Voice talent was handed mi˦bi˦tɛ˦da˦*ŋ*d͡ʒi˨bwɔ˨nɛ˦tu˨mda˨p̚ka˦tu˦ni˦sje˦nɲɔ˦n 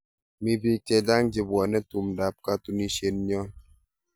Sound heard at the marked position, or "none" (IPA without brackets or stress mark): ŋ